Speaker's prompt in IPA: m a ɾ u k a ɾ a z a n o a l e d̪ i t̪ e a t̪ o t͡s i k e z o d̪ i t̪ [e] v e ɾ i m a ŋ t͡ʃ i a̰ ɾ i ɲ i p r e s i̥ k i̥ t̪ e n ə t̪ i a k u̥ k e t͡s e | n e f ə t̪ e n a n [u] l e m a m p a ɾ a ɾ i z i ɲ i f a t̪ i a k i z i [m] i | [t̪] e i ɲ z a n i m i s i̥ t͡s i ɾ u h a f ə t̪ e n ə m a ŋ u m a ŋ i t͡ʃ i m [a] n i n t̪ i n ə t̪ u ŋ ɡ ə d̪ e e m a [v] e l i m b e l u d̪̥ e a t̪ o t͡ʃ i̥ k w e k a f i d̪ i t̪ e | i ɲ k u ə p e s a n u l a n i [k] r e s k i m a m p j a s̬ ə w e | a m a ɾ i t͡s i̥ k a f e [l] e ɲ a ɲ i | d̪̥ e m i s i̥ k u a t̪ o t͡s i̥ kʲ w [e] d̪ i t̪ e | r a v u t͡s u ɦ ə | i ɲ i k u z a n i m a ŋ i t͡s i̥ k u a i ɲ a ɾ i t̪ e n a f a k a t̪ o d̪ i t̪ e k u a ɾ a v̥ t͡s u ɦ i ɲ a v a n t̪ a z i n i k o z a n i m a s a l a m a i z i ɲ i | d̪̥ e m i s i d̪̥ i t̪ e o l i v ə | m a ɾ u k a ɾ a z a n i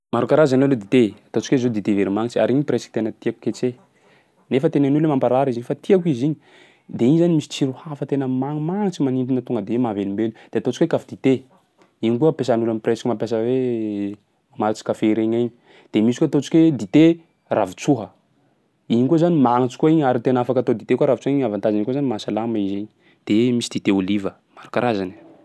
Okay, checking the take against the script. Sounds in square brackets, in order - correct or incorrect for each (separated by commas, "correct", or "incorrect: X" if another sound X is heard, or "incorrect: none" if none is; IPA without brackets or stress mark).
correct, correct, incorrect: ɲ, incorrect: d̪, correct, correct, incorrect: p, incorrect: ɾ, correct